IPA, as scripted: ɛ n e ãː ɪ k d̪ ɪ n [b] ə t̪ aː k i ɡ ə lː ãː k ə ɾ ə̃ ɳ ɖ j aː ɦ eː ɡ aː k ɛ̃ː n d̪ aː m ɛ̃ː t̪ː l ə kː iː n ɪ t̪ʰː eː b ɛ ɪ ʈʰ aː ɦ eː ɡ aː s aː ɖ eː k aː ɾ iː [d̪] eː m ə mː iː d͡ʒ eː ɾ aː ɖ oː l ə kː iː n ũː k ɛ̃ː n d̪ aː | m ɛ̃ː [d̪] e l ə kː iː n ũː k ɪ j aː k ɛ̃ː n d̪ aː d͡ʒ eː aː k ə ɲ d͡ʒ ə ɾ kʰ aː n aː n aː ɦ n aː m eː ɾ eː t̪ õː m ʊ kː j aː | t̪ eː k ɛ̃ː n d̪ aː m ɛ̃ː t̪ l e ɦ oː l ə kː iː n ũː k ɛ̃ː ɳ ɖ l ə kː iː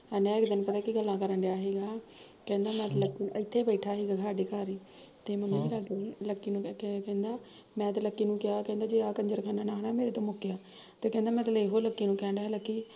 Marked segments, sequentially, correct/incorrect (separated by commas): incorrect, incorrect, incorrect